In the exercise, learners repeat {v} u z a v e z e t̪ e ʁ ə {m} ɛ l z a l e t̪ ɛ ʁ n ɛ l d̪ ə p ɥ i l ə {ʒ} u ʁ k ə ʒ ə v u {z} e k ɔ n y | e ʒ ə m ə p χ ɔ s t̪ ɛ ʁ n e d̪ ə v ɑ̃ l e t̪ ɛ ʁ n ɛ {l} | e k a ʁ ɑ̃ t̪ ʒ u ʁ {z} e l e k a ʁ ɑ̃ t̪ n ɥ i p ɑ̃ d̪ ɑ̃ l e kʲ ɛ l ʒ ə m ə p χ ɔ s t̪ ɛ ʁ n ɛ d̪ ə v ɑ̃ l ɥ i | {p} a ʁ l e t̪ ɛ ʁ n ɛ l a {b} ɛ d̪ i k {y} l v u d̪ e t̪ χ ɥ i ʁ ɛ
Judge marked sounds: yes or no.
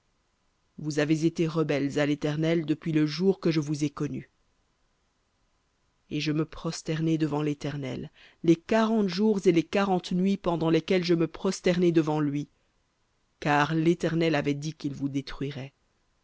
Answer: yes, no, yes, yes, no, yes, no, no, no

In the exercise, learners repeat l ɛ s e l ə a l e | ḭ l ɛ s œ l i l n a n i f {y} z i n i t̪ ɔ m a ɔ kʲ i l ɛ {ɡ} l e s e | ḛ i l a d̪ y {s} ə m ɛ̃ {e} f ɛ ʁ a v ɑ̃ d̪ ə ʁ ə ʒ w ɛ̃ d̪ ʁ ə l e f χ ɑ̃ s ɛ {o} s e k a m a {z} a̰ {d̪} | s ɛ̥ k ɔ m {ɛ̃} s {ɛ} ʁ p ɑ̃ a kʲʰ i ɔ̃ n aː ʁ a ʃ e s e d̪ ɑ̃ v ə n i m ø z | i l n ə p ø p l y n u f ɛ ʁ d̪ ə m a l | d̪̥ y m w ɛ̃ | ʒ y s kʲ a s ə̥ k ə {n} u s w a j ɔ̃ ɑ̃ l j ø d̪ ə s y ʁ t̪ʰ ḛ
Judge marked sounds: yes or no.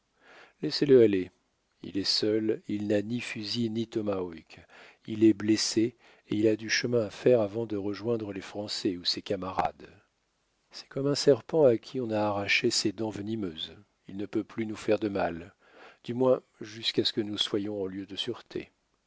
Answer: yes, no, no, no, no, no, yes, yes, yes, yes

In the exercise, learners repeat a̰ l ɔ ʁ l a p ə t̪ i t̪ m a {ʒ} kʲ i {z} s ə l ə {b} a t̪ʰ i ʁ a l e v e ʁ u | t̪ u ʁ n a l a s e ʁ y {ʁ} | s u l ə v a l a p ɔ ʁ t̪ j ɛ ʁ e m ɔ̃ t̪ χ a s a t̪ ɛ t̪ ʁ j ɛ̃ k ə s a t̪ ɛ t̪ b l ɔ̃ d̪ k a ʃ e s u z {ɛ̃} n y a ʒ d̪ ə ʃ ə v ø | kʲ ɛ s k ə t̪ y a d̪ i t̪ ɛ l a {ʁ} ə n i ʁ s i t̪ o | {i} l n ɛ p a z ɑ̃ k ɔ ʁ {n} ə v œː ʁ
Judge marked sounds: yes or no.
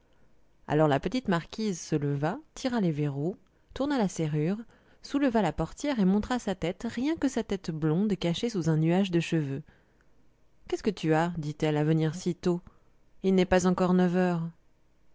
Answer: no, yes, no, yes, yes, no, yes, yes

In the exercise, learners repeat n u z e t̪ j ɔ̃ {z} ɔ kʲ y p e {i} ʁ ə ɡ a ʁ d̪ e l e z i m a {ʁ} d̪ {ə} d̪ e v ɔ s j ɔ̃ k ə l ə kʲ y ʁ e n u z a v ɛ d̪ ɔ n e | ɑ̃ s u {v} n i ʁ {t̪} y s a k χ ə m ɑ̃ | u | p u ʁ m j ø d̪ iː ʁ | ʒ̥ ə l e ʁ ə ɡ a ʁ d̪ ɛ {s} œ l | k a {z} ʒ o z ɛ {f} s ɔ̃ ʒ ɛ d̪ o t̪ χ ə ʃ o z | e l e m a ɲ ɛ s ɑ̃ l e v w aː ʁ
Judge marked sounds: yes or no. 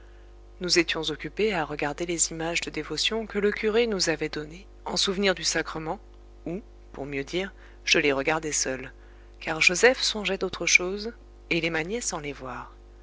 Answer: yes, no, no, yes, yes, no, yes, no, yes

